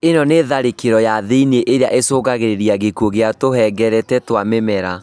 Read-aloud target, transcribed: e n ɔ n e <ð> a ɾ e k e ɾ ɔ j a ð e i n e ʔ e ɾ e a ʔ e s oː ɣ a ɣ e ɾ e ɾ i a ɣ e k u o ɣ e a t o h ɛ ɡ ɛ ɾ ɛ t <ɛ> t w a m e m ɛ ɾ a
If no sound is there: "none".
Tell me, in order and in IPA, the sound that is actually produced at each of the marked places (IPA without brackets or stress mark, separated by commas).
ð, ɛ